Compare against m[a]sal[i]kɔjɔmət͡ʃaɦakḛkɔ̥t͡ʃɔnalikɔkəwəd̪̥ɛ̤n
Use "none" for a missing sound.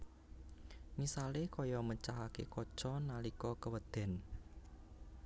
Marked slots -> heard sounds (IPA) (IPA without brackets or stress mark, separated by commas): i, e